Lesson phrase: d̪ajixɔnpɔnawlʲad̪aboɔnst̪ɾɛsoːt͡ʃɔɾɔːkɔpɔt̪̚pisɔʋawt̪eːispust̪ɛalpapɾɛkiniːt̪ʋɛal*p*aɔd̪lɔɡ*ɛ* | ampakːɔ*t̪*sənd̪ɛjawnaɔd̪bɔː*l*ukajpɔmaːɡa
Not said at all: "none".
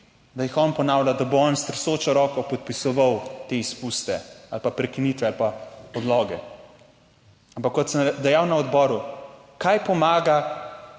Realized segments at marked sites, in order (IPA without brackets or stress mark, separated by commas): p, ɛ, t̪, ɾ